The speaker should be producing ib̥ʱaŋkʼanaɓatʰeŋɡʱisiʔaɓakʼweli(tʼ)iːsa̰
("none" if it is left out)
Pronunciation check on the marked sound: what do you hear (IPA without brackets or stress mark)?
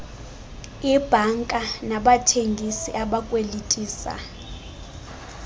tʼ